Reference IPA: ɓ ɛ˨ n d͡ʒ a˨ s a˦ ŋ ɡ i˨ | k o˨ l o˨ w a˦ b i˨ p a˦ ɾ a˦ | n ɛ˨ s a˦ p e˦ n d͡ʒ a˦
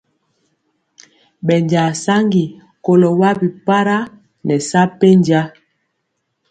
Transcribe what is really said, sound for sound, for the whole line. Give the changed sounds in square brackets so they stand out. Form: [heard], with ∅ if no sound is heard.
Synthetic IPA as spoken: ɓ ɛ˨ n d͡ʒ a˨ s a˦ ŋ ɡ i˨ | k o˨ l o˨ w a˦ b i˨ p a˦ ɾ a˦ | n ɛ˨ s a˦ p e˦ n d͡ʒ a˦

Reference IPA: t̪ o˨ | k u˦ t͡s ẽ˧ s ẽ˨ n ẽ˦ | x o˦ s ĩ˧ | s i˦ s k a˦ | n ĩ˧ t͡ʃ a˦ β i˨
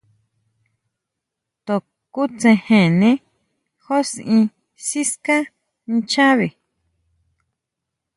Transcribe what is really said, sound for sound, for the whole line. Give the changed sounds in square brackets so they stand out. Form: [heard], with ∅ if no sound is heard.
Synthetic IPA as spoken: t̪ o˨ | k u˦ t͡s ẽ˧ [h] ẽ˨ n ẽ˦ | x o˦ s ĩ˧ | s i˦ s k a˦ | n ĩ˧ t͡ʃ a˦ β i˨

